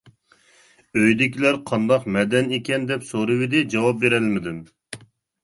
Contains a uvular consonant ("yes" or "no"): yes